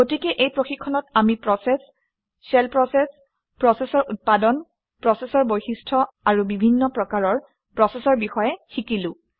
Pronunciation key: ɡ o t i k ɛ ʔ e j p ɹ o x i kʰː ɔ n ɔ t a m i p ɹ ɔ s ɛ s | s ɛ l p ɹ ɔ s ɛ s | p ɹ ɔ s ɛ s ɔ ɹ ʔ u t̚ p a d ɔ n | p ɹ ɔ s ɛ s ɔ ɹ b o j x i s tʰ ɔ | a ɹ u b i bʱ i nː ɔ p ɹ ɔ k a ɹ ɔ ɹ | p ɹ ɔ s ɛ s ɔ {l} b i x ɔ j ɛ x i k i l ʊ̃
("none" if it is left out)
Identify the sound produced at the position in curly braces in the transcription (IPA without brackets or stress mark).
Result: ɹ